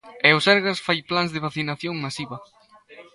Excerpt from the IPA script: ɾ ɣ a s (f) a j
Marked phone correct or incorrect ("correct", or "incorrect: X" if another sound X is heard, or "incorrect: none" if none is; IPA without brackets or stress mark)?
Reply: correct